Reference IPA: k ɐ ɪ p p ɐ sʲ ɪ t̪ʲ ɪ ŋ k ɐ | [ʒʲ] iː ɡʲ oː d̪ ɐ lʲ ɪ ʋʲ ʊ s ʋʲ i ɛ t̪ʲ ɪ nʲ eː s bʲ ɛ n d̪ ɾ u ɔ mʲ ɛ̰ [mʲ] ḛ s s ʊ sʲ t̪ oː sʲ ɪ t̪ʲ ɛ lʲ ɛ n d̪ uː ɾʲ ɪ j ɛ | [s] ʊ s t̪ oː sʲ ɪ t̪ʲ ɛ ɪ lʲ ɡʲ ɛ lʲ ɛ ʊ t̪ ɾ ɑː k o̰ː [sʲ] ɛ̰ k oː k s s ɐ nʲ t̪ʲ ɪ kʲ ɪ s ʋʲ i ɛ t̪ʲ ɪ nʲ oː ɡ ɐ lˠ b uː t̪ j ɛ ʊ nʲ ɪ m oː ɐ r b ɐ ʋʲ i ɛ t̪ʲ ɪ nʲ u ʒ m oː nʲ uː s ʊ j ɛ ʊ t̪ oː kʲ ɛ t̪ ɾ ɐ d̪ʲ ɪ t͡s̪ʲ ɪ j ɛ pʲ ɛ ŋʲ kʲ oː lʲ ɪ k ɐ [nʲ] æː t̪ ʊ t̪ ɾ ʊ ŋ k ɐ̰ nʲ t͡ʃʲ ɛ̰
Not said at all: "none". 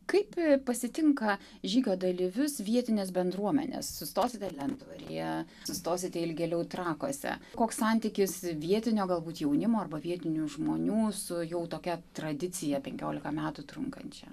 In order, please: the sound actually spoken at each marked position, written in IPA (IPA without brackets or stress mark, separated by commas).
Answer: ʒʲ, nʲ, s, sʲ, mʲ